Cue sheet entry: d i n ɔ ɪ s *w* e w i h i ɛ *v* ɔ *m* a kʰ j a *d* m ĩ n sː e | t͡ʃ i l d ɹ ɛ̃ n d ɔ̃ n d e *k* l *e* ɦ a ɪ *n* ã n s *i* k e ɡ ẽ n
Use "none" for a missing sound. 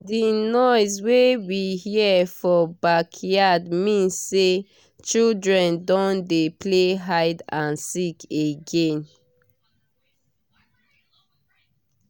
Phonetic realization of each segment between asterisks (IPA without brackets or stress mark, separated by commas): w, f, b, d, p, e, d, i